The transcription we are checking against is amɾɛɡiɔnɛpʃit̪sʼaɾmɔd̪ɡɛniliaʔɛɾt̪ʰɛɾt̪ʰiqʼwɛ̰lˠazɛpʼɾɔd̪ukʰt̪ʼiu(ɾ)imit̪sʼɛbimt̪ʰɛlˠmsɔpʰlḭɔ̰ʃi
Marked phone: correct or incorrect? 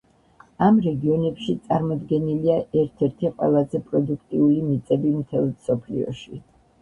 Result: incorrect